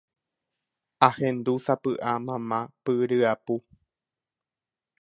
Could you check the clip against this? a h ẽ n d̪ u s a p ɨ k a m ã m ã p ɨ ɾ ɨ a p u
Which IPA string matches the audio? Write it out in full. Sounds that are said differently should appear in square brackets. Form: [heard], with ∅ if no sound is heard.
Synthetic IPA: a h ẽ n d̪ u s a p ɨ [ʔ] a m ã m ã p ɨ ɾ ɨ a p u